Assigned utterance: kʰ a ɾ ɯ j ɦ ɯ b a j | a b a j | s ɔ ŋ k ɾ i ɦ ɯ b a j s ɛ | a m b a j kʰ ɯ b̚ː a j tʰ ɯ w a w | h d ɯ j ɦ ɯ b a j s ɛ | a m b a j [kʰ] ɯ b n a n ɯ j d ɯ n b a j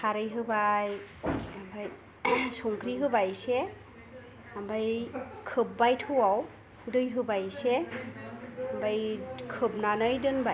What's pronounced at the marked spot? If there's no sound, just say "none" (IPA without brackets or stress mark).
kʰ